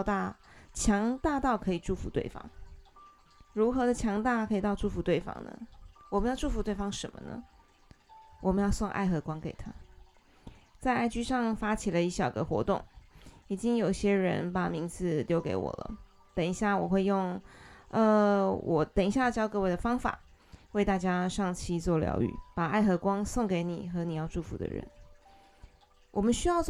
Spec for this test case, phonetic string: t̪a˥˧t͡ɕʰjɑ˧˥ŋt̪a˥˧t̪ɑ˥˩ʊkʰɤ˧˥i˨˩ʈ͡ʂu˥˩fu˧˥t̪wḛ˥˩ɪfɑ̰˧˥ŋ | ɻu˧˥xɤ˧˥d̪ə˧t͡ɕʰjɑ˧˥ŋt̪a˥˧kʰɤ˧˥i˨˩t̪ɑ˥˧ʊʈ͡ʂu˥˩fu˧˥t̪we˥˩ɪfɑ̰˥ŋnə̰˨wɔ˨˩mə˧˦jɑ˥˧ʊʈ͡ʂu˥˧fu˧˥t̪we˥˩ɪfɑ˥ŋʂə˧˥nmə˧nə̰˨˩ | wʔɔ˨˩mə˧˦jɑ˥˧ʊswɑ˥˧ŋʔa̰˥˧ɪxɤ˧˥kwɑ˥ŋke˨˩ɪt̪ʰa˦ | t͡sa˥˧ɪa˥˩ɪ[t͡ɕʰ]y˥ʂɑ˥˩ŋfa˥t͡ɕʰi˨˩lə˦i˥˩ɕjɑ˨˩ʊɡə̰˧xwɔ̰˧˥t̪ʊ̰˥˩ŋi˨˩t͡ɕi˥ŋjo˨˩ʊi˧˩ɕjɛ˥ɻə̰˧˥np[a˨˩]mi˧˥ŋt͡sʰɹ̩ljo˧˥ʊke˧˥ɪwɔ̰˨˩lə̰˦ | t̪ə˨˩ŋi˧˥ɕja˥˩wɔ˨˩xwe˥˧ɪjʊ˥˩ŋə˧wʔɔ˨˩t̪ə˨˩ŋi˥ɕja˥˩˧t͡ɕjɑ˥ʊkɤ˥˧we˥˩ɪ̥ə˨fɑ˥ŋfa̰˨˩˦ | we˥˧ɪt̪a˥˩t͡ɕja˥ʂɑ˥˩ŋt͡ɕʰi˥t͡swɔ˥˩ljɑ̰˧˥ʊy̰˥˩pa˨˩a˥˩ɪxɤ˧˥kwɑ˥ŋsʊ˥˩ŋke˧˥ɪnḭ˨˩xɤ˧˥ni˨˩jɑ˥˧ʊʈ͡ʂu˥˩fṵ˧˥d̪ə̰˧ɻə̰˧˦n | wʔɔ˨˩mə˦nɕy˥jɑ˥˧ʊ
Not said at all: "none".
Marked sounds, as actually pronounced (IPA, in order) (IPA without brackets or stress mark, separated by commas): t͡ɕ, a˨˩